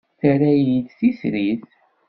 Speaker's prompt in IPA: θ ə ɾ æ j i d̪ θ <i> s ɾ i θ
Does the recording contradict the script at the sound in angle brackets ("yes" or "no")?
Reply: no